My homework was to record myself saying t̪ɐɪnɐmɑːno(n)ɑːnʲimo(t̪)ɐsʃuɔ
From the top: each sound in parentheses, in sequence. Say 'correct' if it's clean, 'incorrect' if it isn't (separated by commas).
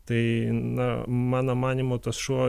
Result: incorrect, correct